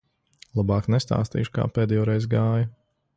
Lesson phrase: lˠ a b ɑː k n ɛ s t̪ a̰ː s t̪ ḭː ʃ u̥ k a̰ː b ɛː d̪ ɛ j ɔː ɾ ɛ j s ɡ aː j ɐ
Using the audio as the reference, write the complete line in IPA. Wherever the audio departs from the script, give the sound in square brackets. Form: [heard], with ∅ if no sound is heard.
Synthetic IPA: lˠ a b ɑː k n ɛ s t̪ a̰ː s t̪ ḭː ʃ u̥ k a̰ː [p] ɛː d̪ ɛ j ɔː ɾ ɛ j [z] ɡ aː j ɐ